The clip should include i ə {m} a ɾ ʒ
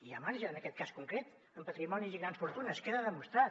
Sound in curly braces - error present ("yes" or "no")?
no